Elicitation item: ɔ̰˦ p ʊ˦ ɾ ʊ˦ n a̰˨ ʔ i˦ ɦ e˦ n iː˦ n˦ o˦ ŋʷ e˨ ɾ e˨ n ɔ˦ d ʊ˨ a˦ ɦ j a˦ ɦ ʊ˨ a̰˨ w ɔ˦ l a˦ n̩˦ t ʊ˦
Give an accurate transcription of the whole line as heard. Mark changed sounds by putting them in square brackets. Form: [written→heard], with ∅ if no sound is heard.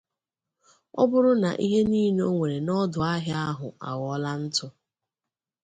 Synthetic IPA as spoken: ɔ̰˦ [p→b] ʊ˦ ɾ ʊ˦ n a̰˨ ʔ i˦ ɦ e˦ n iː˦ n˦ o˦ ŋʷ e˨ ɾ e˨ n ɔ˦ d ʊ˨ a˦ ɦ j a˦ ɦ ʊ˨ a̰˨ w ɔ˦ l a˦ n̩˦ t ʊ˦